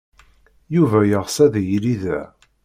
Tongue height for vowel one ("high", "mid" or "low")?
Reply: high